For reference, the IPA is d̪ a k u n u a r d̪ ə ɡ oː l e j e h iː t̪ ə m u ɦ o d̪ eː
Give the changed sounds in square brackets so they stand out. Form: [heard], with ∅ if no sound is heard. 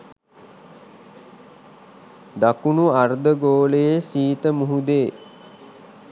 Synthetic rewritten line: d̪ a k u n u a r d̪ ə ɡ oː l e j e [s] iː t̪ ə m u ɦ [u] d̪ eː